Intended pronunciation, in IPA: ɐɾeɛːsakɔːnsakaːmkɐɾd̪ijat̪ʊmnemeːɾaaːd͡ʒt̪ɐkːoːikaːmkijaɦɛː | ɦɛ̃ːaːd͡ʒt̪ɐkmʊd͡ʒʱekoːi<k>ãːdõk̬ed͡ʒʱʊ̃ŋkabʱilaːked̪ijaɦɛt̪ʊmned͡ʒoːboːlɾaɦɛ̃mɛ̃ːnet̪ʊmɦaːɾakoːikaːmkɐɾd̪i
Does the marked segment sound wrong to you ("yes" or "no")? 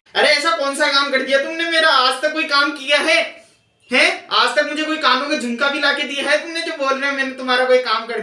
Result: no